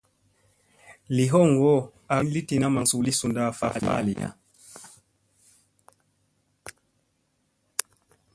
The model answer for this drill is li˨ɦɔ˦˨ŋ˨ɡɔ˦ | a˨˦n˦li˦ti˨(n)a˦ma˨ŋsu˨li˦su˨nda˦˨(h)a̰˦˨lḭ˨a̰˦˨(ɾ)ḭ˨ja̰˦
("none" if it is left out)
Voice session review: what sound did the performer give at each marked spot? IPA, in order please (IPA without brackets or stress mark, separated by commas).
n, f, l